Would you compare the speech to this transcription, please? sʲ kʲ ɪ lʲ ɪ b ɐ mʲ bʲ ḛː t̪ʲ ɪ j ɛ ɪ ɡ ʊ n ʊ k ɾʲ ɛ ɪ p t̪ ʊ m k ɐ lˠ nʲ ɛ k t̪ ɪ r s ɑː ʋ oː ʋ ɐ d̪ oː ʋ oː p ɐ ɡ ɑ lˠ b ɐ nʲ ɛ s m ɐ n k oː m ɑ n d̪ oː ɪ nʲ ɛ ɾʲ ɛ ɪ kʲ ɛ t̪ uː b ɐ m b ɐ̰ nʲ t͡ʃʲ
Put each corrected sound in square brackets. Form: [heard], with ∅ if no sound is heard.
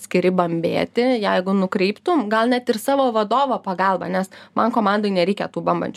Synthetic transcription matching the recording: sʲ kʲ ɪ [ɾʲ] ɪ b ɐ mʲ bʲ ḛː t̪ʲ ɪ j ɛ ɪ ɡ ʊ n ʊ k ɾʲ ɛ ɪ p t̪ ʊ m [ɡ] ɐ lˠ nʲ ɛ [∅] t̪ ɪ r s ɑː ʋ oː ʋ ɐ d̪ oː ʋ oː p ɐ ɡ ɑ lˠ b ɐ nʲ ɛ s m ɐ n k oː m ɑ n d̪ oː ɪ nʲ ɛ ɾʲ ɛ ɪ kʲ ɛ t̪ uː b ɐ m b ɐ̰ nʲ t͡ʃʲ